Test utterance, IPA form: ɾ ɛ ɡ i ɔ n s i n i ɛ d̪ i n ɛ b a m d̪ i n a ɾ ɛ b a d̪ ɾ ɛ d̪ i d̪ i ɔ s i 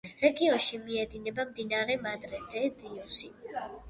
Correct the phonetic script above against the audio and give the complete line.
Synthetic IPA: ɾ ɛ ɡ i ɔ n ʃ i m i ɛ d̪ i n ɛ b a m d̪ i n a ɾ ɛ m a d̪ ɾ ɛ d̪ ɛ d̪ i ɔ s i